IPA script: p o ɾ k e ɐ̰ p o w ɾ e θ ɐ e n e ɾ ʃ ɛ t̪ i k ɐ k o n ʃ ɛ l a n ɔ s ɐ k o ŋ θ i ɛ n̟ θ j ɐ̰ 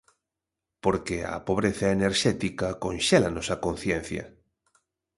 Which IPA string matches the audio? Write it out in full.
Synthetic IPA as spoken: p o ɾ k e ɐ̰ p o β ɾ e θ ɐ e n e ɾ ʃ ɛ t̪ i k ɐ k o n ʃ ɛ l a n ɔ s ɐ k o n θ j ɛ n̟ θ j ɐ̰